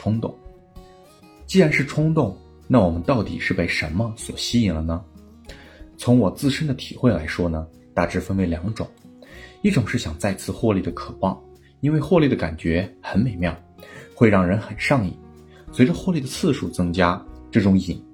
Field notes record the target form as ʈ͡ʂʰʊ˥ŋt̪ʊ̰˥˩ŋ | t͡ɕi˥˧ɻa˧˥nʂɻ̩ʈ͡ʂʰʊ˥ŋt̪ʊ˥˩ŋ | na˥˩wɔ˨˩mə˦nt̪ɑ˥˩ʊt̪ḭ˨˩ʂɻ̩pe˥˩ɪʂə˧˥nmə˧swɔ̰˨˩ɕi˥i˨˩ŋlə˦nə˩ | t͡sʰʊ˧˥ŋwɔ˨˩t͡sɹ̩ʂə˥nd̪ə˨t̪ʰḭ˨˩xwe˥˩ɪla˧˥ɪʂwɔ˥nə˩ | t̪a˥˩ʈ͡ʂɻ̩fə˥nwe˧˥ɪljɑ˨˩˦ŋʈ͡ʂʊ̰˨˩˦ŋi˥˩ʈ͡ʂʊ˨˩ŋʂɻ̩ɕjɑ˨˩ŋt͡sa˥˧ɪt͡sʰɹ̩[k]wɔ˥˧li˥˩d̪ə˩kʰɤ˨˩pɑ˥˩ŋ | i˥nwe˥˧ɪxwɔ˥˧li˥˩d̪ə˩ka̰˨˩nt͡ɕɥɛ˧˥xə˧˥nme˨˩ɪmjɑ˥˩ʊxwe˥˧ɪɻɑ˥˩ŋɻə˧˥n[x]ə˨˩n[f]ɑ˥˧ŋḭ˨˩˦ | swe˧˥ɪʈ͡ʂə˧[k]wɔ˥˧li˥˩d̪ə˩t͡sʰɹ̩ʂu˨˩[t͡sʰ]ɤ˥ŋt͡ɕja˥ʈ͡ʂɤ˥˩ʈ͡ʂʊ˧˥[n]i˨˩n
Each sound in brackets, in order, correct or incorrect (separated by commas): incorrect, correct, incorrect, incorrect, incorrect, incorrect